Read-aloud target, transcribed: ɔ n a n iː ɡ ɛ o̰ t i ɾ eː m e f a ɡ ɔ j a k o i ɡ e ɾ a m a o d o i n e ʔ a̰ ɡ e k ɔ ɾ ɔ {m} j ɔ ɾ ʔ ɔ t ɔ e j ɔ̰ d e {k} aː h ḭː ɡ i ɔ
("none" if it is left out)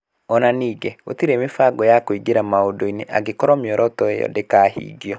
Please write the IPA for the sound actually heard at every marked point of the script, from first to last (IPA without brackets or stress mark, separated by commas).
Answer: m, k